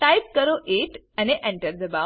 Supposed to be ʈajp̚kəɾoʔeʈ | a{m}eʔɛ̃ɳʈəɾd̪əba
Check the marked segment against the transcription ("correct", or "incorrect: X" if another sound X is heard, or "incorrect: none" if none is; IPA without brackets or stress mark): incorrect: n